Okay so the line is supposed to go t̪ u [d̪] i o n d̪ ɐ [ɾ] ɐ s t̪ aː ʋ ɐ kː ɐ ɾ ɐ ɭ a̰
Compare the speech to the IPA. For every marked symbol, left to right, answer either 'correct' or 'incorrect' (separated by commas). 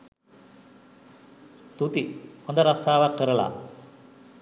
incorrect, correct